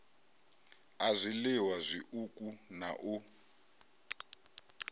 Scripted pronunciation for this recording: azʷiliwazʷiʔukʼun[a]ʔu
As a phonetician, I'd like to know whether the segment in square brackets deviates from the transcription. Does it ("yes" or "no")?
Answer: no